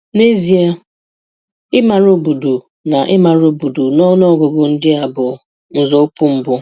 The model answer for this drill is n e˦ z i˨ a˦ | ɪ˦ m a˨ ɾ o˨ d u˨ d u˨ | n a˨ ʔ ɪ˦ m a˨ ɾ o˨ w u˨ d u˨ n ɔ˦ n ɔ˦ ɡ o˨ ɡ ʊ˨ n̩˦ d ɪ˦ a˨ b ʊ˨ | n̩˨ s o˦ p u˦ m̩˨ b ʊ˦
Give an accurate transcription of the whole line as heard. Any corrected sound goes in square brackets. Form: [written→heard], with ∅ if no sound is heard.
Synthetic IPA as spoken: n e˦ z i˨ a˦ | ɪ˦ m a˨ ɾ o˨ [d→b] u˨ d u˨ | n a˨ ʔ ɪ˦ m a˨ ɾ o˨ [w→b] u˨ d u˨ n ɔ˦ n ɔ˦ ɡ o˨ ɡ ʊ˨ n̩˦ d ɪ˦ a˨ b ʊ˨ | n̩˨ [s→z] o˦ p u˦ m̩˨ b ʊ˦